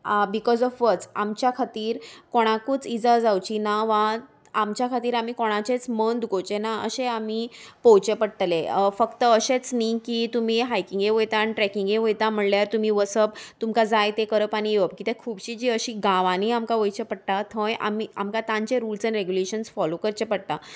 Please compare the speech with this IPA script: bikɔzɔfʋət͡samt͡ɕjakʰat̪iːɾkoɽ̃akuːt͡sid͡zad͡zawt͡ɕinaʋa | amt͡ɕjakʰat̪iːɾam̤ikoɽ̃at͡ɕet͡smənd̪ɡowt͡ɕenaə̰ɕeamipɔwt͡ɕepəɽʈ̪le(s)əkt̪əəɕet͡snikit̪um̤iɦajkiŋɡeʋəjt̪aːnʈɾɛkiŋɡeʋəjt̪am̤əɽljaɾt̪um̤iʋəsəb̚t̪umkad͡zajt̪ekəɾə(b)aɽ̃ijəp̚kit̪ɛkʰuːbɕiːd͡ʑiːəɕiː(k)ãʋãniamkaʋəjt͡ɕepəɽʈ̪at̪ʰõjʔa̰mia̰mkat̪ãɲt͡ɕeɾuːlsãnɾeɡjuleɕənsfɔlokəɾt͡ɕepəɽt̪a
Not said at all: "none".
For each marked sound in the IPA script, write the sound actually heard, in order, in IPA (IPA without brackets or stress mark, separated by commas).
f, p, ɡ